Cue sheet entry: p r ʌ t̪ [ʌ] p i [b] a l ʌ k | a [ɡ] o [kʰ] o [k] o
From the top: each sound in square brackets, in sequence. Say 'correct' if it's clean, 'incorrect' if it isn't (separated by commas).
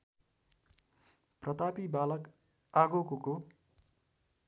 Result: incorrect, correct, correct, incorrect, correct